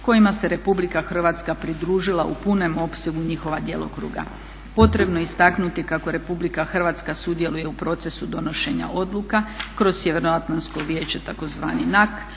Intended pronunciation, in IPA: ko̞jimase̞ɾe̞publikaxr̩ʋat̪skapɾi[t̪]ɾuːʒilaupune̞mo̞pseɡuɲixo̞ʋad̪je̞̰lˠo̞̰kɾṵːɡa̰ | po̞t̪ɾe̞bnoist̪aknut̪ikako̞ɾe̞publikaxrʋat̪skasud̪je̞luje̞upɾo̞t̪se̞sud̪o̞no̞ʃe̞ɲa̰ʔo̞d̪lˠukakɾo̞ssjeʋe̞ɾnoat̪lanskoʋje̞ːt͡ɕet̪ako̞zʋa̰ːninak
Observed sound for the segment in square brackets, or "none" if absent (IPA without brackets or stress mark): d̪